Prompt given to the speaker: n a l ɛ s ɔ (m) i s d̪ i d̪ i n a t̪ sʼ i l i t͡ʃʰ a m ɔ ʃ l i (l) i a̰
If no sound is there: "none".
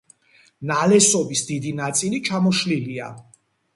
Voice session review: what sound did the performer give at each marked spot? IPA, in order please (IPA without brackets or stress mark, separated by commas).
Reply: b, l